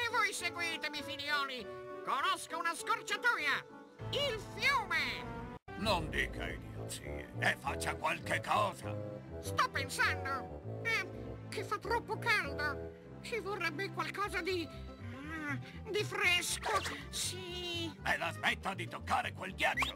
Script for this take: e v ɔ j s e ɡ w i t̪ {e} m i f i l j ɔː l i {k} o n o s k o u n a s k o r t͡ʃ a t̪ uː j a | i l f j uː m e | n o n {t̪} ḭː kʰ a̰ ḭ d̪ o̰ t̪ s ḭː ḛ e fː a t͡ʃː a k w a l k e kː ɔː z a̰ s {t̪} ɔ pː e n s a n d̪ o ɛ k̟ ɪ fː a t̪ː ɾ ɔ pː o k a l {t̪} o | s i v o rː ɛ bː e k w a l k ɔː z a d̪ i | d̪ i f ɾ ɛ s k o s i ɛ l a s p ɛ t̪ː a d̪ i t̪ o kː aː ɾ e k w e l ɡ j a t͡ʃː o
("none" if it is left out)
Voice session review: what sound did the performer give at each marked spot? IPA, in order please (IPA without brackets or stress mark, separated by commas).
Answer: e, k, d̪, t̪, d̪